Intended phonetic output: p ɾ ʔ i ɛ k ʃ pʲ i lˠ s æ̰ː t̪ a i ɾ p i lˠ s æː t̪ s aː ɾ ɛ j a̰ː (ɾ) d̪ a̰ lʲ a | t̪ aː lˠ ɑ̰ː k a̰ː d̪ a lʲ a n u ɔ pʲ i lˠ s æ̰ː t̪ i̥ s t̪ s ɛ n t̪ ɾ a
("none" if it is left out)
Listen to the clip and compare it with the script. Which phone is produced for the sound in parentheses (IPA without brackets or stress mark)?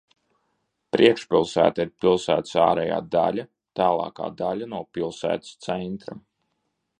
none